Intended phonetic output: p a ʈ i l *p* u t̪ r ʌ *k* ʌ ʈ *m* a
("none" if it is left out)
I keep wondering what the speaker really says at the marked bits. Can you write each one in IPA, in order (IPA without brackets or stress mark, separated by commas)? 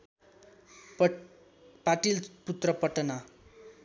p, p, n